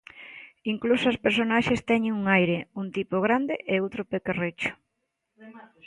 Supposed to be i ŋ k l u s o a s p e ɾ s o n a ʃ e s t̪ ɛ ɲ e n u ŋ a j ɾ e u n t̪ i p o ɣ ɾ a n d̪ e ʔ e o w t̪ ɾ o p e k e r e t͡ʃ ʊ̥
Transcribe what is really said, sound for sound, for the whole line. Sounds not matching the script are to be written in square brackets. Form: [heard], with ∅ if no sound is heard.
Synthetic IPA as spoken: i ŋ k l u s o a s p e ɾ s o n a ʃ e s t̪ ɛ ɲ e [ŋ] u ŋ a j ɾ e u n t̪ i p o ɣ ɾ a n d̪ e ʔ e o w t̪ ɾ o p e k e r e t͡ʃ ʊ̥